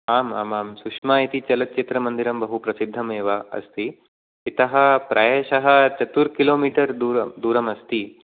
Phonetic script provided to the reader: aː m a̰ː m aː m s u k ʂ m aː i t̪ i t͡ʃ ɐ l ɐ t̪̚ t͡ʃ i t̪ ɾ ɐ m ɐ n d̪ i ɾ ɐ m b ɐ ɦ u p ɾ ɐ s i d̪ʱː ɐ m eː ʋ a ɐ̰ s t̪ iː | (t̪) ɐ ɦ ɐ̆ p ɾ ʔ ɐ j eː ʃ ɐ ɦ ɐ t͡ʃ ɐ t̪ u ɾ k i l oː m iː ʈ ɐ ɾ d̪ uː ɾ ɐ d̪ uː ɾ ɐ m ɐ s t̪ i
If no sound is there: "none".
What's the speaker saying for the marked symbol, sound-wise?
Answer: t̪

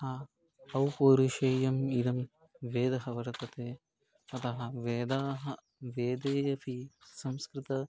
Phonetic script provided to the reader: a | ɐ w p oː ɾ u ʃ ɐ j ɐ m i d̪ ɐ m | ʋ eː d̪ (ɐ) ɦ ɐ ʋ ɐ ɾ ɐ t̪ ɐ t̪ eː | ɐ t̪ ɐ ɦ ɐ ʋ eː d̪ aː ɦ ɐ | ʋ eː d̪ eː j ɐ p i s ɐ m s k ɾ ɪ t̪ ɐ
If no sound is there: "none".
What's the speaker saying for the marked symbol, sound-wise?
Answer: ɐ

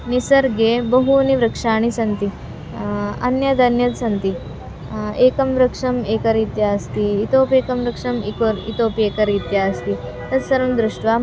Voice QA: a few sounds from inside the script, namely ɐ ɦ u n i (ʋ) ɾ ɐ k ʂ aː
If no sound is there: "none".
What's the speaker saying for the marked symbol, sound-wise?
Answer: ʋ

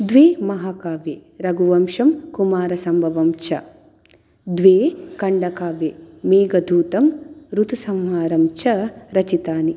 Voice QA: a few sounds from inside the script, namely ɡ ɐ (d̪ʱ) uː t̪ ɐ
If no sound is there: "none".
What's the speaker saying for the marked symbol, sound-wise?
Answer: d̪ʱ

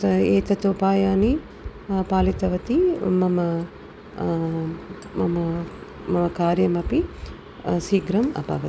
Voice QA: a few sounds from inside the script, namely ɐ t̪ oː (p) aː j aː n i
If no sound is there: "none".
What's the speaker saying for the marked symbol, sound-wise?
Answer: p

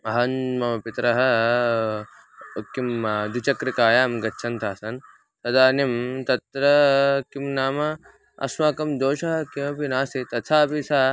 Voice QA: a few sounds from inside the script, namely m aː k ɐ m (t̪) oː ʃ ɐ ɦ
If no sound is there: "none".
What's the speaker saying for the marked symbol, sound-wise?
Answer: d̪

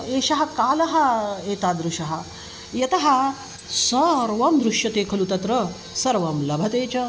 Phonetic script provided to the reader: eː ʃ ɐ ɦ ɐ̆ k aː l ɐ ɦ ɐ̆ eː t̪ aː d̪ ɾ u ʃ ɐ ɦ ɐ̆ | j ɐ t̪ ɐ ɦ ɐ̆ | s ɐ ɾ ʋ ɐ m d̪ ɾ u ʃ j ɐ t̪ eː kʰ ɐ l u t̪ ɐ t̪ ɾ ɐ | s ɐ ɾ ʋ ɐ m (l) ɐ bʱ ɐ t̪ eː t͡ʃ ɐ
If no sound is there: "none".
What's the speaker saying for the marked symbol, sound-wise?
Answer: l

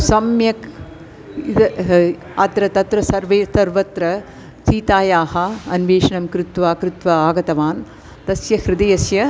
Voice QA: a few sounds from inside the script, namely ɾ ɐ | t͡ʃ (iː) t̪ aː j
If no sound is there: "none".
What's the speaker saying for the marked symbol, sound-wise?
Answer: iː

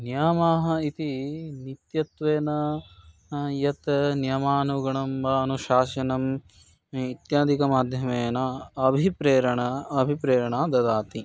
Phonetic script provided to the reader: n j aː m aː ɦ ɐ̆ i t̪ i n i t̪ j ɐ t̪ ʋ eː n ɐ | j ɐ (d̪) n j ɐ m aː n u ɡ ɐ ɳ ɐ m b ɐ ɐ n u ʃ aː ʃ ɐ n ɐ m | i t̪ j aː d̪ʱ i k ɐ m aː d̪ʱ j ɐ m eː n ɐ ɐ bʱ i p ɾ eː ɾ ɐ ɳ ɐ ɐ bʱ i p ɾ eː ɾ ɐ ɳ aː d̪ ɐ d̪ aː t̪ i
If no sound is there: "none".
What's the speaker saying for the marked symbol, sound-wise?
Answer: t̪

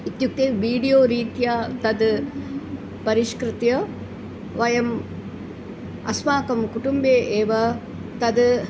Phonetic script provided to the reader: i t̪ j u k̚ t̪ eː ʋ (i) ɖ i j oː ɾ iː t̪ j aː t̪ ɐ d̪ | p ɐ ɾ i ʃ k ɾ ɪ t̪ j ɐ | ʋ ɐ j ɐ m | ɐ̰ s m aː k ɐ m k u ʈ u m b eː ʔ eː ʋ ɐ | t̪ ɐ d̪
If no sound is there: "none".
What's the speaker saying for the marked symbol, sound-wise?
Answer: iː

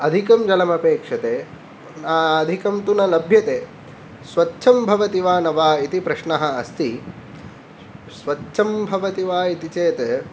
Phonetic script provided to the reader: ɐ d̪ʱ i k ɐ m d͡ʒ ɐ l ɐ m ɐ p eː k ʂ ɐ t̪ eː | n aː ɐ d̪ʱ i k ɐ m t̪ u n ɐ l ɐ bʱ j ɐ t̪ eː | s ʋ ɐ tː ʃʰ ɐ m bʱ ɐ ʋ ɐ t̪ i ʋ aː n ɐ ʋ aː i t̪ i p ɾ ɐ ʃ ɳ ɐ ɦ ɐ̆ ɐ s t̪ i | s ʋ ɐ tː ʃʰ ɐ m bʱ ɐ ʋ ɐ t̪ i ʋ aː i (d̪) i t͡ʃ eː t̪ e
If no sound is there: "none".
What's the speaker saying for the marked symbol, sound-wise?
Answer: t̪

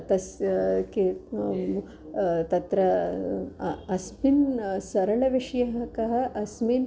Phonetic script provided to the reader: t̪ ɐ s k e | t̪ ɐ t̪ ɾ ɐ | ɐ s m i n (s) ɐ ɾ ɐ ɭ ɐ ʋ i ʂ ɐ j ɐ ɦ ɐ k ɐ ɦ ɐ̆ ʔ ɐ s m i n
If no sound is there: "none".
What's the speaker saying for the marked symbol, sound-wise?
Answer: s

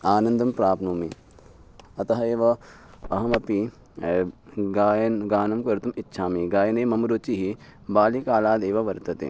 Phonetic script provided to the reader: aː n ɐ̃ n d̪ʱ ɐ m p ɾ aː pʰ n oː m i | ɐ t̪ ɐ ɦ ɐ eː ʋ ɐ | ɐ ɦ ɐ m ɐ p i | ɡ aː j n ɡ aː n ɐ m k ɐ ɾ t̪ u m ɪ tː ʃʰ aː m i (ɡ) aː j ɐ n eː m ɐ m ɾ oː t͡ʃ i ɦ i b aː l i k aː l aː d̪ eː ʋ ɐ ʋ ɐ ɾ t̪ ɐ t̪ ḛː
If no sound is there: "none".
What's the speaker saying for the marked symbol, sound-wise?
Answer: ɡ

